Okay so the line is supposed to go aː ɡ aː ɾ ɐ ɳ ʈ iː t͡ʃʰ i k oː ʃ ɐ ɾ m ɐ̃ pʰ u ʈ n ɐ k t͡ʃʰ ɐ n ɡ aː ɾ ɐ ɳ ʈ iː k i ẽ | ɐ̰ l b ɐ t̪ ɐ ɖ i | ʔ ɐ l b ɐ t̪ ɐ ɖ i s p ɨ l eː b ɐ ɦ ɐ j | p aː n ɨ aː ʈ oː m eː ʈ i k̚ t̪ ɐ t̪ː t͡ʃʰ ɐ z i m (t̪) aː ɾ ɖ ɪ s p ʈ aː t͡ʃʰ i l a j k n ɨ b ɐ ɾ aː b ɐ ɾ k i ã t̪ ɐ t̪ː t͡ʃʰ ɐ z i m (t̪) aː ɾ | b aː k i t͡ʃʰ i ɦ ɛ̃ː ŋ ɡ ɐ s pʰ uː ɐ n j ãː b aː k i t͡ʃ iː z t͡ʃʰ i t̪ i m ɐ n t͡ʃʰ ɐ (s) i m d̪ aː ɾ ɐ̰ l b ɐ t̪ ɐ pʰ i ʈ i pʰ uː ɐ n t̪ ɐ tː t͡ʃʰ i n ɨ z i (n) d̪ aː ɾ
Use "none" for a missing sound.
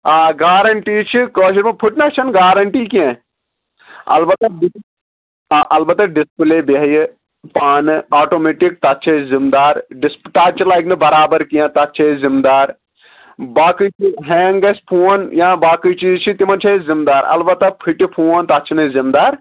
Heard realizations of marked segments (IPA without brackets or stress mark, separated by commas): d̪, d̪, z, m